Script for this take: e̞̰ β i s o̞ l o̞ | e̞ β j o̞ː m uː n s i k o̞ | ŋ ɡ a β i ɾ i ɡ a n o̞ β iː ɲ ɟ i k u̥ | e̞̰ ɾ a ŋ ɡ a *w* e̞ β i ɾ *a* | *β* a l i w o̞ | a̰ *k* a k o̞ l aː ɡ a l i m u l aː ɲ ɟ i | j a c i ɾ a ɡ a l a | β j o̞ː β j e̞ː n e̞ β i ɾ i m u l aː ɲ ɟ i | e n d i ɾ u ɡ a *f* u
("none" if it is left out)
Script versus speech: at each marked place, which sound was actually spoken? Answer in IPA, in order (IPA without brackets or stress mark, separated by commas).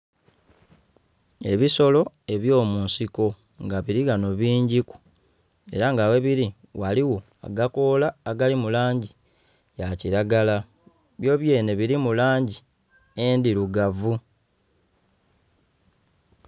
w, i, w, ɡ, v